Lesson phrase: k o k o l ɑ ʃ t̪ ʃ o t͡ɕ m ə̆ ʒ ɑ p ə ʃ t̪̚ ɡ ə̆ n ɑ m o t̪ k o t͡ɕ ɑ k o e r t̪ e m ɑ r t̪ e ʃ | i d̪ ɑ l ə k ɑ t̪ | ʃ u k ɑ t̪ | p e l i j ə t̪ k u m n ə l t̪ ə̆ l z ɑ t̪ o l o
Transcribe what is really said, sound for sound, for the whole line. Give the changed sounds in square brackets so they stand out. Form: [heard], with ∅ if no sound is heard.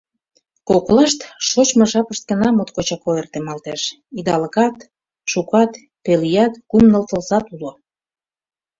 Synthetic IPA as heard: k o k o l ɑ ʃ t̪ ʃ o t͡ɕ m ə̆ ʒ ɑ p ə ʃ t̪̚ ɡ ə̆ n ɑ m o t̪ k o t͡ɕ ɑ k o e r t̪ e m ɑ [l] t̪ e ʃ | i d̪ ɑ l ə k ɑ t̪ | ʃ u k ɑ t̪ | p e l i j [ɑ] t̪ k u m n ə l t̪ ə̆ l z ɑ t̪ [u] l o